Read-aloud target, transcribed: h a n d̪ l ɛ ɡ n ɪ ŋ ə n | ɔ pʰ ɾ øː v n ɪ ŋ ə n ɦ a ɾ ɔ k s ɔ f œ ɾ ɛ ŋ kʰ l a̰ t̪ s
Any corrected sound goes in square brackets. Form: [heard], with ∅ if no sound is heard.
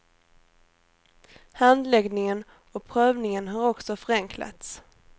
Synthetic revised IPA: h a n d̪ l ɛ ɡ n ɪ ŋ ə n | ɔ pʰ ɾ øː v n ɪ ŋ ə n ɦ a ɾ ɔ k s ɔ f œ ɾ ɛ ŋ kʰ l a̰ t̪ s